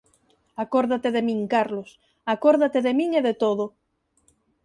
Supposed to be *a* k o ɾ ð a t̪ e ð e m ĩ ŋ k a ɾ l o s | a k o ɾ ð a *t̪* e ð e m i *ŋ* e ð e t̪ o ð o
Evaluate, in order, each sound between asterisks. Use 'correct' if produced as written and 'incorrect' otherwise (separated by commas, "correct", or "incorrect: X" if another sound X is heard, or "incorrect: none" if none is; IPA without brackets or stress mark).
correct, correct, correct